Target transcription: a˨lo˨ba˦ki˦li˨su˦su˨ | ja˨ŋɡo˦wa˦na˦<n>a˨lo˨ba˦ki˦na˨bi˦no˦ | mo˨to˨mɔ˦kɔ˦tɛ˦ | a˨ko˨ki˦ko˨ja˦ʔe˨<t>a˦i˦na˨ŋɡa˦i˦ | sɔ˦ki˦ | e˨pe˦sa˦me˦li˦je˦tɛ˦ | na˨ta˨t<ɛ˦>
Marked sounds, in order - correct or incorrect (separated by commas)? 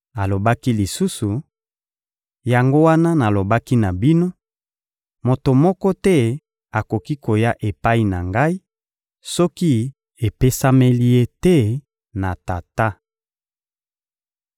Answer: correct, incorrect, incorrect